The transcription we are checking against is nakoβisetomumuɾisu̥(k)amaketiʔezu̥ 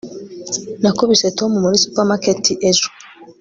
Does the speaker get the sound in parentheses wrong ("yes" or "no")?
yes